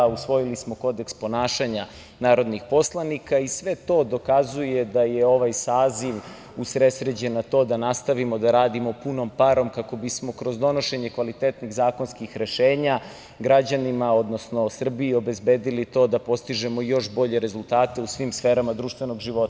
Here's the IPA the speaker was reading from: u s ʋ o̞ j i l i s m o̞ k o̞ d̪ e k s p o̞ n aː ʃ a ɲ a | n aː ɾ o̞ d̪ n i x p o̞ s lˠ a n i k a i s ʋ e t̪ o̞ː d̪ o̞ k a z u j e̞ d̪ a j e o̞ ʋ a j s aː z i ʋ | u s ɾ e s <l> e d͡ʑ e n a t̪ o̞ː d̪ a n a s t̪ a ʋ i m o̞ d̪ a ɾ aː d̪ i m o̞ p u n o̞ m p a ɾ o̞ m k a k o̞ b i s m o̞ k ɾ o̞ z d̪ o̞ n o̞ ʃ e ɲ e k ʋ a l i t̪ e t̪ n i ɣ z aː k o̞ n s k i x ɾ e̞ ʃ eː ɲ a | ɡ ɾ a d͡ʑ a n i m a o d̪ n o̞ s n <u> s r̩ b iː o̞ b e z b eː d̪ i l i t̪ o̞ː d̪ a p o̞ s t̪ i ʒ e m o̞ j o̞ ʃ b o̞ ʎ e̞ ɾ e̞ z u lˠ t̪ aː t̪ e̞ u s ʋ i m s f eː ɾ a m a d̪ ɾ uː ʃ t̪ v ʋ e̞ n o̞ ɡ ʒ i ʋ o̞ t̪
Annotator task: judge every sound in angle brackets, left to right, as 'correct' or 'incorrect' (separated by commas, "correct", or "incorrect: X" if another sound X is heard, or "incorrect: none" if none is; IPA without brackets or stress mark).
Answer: incorrect: ɾ, incorrect: o